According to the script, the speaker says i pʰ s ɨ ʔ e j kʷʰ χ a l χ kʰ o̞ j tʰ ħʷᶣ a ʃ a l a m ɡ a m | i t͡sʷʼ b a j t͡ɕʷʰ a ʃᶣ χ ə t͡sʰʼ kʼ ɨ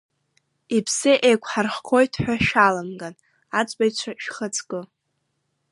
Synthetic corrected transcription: i pʰ s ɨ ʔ e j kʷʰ ħ a r χ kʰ o̞ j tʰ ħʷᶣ a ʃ a l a m ɡ a n | a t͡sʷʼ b a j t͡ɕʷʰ a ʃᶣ χ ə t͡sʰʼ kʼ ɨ

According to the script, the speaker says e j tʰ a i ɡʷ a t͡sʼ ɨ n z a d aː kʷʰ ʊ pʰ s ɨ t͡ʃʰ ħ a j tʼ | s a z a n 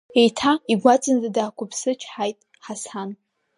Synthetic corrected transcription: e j tʰ a i ɡʷ a t͡sʼ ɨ n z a d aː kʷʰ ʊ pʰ s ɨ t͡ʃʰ ħ a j tʼ | ħ a s a n

